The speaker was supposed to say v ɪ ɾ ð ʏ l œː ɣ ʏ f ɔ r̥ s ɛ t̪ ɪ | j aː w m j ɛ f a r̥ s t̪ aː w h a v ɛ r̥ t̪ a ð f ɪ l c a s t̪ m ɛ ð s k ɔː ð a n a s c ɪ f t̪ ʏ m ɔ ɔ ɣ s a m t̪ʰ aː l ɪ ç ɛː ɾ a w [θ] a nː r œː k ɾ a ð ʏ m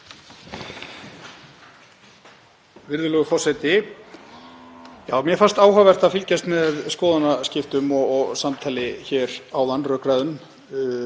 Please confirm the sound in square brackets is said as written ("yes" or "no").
no